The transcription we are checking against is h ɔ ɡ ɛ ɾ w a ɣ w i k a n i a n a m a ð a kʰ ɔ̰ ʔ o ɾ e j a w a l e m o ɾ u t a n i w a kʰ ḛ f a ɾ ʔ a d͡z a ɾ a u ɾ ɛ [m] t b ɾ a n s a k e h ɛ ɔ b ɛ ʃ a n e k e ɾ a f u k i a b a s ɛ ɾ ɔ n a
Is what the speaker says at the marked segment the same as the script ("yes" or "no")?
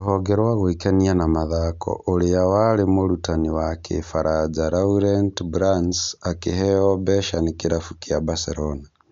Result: no